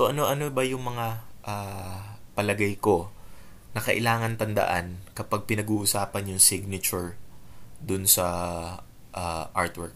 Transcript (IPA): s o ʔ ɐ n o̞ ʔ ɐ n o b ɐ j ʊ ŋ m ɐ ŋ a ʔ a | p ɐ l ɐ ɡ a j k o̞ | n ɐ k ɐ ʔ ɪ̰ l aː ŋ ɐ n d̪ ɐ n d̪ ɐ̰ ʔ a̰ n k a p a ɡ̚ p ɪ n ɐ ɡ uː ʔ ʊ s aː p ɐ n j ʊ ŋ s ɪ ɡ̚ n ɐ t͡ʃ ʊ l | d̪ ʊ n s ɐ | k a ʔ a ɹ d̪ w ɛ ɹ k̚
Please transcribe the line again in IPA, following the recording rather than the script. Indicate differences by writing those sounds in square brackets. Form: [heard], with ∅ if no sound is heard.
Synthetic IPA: s o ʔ ɐ n o̞ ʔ ɐ n o b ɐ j ʊ ŋ m ɐ ŋ a ʔ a | p ɐ l ɐ ɡ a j k o̞ | n ɐ k ɐ ʔ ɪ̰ l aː ŋ ɐ n [t̪] ɐ n d̪ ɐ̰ ʔ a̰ n k [ɐ] p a ɡ̚ p ɪ n ɐ ɡ uː ʔ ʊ s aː p ɐ n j ʊ ŋ s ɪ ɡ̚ n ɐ t͡ʃ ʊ [ɹ] | d̪ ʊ n s ɐ | [ʔ] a ʔ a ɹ [t̪] w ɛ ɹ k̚